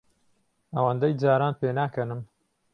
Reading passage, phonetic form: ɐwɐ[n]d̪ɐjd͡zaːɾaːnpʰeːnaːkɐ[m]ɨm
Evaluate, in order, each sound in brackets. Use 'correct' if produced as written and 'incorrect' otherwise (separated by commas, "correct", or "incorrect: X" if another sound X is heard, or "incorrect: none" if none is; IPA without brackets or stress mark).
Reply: correct, incorrect: n